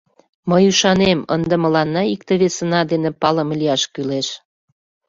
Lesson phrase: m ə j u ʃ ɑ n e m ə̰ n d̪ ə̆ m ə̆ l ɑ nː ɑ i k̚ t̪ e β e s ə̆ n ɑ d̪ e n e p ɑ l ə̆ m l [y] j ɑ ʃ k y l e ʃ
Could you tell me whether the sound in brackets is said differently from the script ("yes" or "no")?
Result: yes